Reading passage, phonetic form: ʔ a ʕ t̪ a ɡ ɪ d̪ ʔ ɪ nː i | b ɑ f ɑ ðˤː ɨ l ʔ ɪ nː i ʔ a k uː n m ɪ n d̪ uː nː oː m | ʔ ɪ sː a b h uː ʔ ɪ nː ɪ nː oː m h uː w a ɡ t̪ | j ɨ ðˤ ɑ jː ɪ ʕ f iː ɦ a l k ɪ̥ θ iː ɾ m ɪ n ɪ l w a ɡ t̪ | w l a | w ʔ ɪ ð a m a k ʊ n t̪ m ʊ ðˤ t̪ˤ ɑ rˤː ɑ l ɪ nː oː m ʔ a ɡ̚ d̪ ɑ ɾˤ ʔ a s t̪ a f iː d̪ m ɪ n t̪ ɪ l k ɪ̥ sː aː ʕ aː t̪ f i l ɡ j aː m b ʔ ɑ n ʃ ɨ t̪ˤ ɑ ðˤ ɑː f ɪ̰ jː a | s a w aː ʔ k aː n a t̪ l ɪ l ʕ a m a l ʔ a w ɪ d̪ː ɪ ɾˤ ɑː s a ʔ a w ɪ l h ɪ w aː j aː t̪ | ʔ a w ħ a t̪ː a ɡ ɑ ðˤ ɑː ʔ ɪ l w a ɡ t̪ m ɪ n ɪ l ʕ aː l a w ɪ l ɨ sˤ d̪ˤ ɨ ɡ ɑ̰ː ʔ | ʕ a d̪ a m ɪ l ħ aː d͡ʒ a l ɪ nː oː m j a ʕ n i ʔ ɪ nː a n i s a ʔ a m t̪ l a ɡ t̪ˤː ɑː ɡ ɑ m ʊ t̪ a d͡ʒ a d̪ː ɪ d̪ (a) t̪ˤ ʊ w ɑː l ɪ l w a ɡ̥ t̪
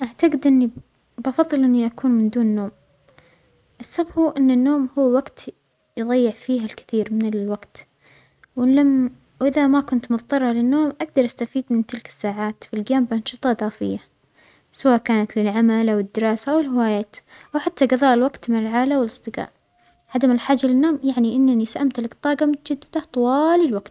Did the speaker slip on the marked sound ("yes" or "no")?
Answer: no